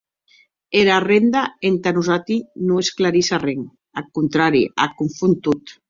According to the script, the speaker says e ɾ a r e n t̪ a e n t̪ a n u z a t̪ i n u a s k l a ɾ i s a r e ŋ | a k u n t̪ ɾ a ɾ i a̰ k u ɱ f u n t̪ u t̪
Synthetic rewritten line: e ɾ a r e n d̪ a e n t̪ a n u z a t̪ i n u e s k l a ɾ i s a r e ŋ | a k u n t̪ ɾ a ɾ i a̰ k u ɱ f u n t̪ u t̪